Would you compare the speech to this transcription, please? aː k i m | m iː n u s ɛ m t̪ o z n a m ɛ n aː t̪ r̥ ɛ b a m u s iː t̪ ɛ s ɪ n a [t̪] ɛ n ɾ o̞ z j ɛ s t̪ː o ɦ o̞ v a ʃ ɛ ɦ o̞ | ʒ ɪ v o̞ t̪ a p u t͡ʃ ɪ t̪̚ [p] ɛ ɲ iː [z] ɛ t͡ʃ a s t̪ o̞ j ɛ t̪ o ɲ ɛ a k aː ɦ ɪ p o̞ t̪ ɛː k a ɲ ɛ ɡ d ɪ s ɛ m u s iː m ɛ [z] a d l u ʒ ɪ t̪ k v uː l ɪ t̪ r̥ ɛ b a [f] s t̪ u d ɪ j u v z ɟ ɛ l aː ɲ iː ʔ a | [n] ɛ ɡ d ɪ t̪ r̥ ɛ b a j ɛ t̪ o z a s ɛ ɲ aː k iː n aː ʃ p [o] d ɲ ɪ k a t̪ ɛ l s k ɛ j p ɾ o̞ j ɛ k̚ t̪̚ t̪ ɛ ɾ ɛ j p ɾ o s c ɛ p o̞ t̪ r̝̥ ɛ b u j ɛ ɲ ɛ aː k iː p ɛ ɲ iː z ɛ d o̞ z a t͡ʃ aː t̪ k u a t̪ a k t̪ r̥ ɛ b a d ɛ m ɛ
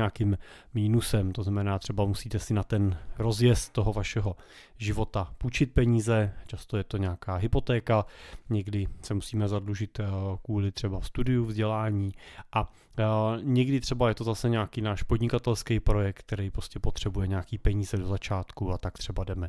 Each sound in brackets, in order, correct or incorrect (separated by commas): correct, correct, correct, correct, correct, incorrect, correct